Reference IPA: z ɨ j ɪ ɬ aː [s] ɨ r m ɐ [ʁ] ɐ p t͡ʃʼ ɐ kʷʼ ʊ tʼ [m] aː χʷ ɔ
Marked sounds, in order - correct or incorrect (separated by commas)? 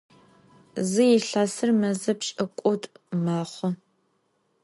correct, incorrect, correct